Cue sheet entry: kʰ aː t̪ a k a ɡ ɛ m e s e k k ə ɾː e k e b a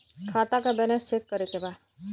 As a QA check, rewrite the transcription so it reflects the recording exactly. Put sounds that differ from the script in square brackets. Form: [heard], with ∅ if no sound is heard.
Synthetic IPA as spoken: kʰ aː t̪ a k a [b] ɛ [n] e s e k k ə [ɾ] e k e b a